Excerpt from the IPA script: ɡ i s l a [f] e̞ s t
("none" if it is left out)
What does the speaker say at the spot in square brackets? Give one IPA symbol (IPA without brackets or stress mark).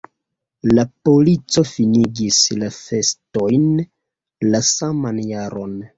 f